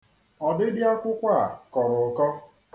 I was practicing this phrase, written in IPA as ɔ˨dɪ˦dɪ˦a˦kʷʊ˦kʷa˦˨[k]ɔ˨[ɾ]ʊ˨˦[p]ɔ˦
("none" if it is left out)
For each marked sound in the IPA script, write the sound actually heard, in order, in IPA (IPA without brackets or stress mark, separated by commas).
k, ɾ, k